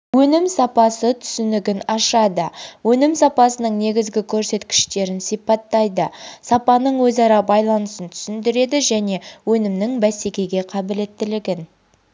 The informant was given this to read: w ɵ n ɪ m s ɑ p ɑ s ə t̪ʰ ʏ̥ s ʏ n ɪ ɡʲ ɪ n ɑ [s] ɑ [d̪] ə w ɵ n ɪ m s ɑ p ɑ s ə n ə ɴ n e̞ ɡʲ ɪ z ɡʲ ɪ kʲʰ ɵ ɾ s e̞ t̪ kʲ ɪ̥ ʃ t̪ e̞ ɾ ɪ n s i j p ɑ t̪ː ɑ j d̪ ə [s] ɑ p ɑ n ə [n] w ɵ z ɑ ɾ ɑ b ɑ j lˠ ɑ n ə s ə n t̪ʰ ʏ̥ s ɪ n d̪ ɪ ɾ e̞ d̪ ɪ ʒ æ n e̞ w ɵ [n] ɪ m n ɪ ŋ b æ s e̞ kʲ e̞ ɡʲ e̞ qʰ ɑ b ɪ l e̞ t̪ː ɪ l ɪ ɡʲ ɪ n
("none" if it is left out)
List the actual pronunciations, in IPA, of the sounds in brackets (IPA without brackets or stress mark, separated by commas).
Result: ʃ, d̪, s, ɴ, n